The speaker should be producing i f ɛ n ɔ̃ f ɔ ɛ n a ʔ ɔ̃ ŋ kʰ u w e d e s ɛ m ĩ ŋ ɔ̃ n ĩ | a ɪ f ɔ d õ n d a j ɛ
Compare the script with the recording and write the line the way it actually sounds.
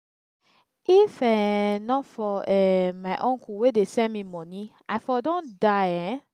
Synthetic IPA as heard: i f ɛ n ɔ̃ f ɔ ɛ m a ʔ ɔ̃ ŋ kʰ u w e d e s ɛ m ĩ m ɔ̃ n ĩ | a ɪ f ɔ d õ n d a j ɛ